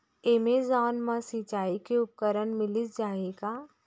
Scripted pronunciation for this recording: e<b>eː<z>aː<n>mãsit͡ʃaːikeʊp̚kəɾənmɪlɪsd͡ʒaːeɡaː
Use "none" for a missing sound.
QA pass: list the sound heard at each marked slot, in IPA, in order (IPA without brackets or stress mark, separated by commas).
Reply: m, z, n